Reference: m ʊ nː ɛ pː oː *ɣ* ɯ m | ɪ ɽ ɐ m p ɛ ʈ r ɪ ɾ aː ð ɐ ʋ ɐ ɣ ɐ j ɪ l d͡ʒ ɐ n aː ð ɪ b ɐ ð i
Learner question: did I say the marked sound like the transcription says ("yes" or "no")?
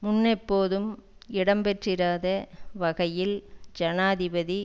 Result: no